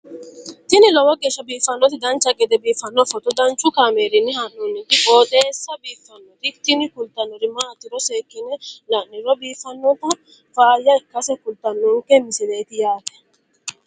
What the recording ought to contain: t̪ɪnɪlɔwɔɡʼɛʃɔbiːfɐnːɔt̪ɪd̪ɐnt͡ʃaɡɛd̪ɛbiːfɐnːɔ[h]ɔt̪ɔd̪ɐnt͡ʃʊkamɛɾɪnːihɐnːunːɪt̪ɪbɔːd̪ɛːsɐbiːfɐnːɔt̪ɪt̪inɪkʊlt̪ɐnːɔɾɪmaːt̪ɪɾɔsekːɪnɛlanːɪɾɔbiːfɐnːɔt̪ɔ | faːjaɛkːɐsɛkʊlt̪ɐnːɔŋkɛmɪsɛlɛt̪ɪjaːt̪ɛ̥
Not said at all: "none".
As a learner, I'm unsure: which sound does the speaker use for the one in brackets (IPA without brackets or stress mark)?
f